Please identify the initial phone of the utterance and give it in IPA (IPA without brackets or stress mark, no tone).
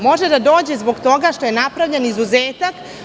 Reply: m